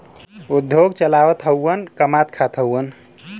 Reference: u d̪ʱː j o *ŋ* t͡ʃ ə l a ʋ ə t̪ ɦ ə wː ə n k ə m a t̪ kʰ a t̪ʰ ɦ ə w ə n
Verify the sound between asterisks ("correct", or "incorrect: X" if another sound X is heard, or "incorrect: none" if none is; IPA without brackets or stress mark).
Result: incorrect: ɡ